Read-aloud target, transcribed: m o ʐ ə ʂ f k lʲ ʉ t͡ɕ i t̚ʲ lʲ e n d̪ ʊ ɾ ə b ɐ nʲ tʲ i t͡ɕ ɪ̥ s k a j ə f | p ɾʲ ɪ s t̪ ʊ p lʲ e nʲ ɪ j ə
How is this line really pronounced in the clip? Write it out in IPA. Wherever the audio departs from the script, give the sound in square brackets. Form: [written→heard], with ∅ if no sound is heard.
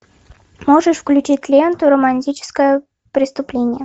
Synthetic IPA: m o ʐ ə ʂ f k lʲ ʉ t͡ɕ i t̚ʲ lʲ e n [d̪→t̪] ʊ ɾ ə [b→m] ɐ nʲ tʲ i t͡ɕ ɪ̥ s k [a→ə] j ə [f→∅] | p ɾʲ ɪ s t̪ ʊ p lʲ e nʲ ɪ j ə